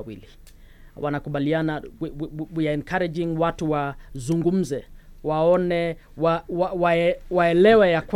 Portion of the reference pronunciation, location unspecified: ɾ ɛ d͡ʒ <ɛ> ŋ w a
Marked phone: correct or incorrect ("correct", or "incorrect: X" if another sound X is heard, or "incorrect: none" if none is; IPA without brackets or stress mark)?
incorrect: i